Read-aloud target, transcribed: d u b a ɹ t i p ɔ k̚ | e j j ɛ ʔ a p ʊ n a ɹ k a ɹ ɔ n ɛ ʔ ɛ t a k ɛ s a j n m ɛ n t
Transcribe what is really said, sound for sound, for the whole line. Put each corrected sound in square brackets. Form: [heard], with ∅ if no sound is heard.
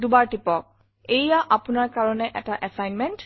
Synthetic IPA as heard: d u b a ɹ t i p ɔ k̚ | e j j [a] ʔ a p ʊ n a ɹ k a ɹ ɔ n ɛ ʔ ɛ t a [ʔ] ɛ s a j n m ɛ n t